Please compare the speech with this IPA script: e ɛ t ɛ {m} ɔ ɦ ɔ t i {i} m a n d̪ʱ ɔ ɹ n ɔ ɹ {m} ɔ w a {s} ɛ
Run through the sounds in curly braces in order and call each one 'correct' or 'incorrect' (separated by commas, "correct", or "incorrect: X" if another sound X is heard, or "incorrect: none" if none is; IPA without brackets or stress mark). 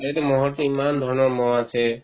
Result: correct, correct, correct, correct